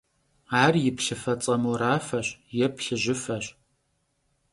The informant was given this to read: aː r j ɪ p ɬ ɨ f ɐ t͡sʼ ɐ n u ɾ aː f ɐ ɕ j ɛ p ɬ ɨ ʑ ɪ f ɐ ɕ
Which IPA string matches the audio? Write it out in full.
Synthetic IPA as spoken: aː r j ɪ p ɬ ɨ f ɐ t͡sʼ ɐ m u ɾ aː f ɐ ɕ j ɛ p ɬ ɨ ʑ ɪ f ɐ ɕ